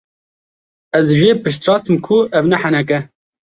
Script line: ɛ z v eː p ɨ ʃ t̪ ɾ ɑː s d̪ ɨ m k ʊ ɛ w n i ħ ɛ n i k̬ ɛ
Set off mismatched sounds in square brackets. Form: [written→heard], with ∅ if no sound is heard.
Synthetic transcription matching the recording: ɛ z [v→ʒ] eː p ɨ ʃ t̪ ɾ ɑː s [d̪→t̪] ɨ m [k→kʰ] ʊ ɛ [w→v] n [i→ɛ] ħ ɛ n [i→ɛ] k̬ ɛ